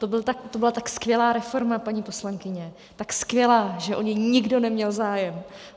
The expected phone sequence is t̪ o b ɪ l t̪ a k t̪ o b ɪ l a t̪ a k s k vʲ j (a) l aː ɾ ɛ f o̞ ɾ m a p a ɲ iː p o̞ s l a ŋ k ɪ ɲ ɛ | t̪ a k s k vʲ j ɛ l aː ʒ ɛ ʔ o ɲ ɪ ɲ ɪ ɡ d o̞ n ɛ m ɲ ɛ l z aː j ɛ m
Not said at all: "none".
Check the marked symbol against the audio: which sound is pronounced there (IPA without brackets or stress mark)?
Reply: ɛ